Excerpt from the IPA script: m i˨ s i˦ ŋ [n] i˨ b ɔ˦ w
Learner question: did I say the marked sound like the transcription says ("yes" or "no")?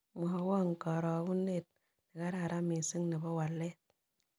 yes